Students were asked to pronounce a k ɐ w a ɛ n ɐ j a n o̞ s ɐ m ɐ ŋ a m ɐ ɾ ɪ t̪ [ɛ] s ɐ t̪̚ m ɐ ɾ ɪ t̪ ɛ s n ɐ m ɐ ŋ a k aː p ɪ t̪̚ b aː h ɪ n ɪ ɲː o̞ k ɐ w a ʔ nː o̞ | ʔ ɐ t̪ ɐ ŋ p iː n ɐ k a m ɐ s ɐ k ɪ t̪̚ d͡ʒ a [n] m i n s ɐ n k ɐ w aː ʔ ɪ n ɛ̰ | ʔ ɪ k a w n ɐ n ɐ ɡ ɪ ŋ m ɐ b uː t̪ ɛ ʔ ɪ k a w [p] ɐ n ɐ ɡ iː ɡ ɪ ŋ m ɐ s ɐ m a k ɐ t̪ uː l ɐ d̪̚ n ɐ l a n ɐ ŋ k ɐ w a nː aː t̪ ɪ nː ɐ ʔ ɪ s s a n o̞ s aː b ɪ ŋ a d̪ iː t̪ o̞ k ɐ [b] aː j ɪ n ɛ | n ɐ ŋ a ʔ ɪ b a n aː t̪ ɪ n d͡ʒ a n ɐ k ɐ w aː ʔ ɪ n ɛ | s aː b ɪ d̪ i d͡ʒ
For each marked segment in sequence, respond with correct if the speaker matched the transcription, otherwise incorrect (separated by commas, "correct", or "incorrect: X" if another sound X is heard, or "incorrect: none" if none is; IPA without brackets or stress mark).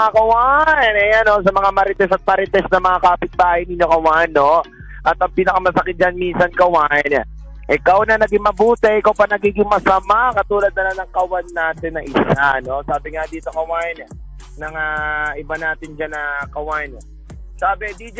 correct, correct, correct, incorrect: w